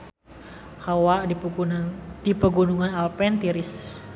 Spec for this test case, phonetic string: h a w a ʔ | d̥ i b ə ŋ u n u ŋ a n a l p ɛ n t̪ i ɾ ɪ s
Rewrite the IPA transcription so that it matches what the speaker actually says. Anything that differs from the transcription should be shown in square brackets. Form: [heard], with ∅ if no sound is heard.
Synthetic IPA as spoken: h a w a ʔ | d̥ i [p] ə [ɡ] u n u ŋ a n a l p ɛ n t̪ i ɾ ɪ s